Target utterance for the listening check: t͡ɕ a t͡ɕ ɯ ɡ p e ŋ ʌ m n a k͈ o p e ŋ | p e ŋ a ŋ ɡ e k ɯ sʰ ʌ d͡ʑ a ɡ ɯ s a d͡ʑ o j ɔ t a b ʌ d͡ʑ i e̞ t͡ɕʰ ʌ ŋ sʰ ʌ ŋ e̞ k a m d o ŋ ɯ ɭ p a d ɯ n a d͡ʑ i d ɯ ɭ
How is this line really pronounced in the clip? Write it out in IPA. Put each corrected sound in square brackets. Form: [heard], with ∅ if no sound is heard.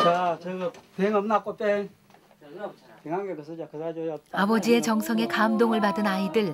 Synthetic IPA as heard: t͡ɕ a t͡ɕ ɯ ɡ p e ŋ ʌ m n a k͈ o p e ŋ | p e ŋ a ŋ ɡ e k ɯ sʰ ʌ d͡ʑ a [k] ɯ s a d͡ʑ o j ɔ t a b ʌ d͡ʑ i e̞ [t͡ɕ] ʌ ŋ sʰ ʌ ŋ e̞ k a m d o ŋ ɯ ɭ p a d ɯ n a [∅] i d ɯ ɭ